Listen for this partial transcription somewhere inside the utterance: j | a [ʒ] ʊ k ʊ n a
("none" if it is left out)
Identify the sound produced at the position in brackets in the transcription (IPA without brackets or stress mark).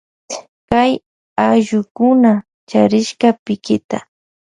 ʒ